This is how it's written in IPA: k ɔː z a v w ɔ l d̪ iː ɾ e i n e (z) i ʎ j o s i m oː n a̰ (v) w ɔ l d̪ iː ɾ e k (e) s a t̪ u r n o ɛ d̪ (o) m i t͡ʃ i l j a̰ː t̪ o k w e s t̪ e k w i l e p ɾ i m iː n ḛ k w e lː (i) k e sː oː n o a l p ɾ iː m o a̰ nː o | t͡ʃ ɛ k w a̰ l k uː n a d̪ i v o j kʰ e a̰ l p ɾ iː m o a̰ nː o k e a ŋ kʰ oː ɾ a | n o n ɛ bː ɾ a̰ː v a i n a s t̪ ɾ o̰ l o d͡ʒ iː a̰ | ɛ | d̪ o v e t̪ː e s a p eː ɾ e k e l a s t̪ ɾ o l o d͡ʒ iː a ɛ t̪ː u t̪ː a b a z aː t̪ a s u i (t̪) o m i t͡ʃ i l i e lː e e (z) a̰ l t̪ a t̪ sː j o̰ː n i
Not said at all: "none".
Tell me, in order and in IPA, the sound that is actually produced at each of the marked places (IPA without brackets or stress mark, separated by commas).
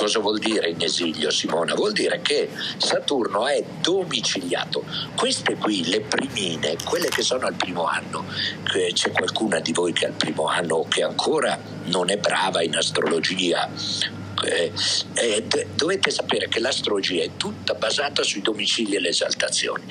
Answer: z, v, e, o, e, d̪, z